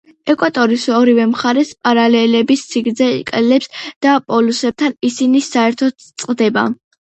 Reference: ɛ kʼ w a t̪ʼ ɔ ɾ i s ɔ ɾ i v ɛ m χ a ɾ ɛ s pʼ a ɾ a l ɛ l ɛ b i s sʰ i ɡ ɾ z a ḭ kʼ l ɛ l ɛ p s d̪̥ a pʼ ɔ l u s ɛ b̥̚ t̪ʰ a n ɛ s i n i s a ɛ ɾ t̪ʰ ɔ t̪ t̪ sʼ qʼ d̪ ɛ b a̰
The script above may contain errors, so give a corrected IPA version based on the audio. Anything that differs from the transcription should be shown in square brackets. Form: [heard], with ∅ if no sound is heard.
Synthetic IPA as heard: ɛ kʼ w a t̪ʼ ɔ ɾ i s ɔ ɾ i v ɛ m χ a ɾ ɛ s pʼ a ɾ a l ɛ l ɛ b i s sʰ i ɡ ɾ z [ɛ] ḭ kʼ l ɛ l ɛ p s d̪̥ a pʼ ɔ l u s ɛ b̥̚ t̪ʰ a n [i] s i n i s a ɛ ɾ t̪ʰ ɔ t̪ t̪ sʼ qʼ d̪ ɛ b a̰